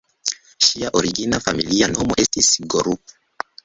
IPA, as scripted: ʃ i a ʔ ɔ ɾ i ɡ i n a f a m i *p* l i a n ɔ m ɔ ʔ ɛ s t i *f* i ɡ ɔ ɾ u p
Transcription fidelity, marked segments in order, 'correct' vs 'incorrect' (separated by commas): incorrect, incorrect